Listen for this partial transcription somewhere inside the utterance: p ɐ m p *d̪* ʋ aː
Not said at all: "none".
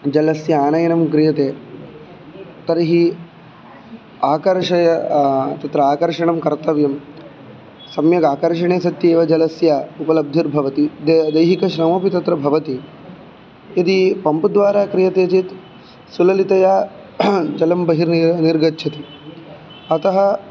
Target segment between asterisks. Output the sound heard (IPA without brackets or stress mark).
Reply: d̪